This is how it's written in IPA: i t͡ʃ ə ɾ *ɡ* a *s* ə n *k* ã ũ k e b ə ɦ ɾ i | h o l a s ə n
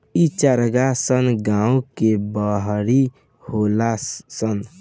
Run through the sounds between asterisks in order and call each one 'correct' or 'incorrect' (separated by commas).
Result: correct, correct, incorrect